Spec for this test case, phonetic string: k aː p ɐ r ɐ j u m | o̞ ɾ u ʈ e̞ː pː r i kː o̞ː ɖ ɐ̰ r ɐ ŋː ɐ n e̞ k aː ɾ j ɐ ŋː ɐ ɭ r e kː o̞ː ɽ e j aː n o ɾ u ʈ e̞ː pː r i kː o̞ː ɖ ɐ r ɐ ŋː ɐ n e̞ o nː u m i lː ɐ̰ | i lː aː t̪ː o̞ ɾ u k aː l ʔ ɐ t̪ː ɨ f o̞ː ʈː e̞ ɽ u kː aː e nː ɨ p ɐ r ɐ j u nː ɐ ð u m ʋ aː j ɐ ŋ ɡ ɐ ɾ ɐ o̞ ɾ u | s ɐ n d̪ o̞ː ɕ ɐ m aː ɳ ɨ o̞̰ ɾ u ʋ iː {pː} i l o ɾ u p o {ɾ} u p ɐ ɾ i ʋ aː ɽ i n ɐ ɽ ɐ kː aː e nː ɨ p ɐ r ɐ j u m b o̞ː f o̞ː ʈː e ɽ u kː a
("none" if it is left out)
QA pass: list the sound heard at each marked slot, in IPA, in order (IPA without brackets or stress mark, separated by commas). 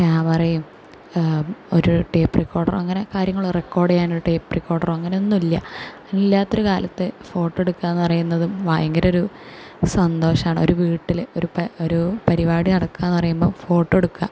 ʈː, ɾ